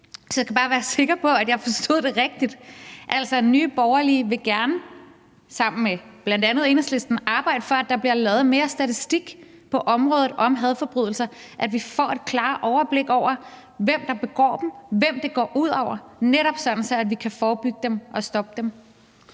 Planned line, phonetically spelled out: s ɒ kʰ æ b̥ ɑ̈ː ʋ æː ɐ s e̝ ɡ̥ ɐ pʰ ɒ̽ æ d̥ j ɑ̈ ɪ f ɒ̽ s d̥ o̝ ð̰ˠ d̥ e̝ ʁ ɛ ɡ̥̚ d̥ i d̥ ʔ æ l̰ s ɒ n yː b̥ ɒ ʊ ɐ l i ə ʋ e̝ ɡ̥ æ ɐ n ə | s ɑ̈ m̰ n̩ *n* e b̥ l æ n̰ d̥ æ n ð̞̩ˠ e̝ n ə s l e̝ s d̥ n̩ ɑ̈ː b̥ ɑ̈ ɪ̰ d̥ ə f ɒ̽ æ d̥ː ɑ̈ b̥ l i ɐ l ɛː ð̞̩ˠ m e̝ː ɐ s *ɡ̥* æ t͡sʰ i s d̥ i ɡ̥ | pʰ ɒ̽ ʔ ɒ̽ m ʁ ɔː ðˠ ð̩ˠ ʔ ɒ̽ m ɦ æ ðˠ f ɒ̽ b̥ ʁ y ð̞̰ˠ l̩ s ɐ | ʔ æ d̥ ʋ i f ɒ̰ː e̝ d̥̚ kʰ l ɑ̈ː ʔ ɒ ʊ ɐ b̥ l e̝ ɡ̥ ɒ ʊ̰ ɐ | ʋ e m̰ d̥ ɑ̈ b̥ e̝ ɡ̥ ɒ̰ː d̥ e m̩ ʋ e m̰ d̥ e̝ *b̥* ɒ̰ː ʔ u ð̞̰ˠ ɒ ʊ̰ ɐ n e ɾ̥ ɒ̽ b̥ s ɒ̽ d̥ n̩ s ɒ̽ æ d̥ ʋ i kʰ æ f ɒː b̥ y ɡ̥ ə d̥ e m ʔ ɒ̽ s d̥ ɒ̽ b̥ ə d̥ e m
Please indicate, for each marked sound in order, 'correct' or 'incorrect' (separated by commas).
incorrect, incorrect, incorrect